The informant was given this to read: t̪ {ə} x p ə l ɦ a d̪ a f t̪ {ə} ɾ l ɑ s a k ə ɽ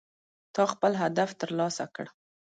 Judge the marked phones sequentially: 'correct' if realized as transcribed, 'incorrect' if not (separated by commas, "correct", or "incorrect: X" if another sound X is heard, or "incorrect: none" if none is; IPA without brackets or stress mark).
incorrect: ɑ, correct